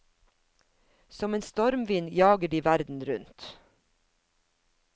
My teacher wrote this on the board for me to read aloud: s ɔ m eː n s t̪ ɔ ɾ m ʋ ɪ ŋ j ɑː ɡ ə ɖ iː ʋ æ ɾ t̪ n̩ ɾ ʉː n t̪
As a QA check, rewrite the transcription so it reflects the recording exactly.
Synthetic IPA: s ɔ m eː n s t̪ ɔ ɾ m ʋ ɪ n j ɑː ɡ ə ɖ iː ʋ æ ɾ d̪ n̩ ɾ ʉ n t̪